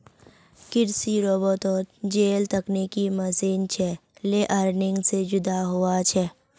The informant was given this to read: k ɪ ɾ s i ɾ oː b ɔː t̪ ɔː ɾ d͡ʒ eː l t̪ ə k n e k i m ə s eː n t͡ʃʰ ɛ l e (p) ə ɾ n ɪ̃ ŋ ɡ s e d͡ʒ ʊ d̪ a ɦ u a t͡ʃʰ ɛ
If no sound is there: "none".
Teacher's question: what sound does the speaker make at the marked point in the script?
ʔ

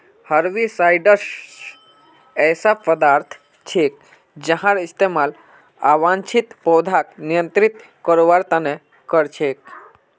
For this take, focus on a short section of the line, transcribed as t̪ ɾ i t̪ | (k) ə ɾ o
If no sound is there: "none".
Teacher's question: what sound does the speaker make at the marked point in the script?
k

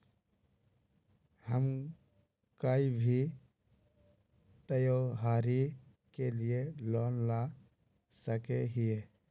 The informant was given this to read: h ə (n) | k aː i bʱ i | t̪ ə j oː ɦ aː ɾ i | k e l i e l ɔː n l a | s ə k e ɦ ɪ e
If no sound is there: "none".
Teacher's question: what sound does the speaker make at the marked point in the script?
m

